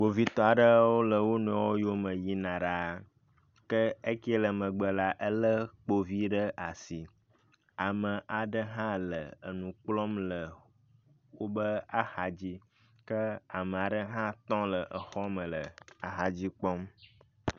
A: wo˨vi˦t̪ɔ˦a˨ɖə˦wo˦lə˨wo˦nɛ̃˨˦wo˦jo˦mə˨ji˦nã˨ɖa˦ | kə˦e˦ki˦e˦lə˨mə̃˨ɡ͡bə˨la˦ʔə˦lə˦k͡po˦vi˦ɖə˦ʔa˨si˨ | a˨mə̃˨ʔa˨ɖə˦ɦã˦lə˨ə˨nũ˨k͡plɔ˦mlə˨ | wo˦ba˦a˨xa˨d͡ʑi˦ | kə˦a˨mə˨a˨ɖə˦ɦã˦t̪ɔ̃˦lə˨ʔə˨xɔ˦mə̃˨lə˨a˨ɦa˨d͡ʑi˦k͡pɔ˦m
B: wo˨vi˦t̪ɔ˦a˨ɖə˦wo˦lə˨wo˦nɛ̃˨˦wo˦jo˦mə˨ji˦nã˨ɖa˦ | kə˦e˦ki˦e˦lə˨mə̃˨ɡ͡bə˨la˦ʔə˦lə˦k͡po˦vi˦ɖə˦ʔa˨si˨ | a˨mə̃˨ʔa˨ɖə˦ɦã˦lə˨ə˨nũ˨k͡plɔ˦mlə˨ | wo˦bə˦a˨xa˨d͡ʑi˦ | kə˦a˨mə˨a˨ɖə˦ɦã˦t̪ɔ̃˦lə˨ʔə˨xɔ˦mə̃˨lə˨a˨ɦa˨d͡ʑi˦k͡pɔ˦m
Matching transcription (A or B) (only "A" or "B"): B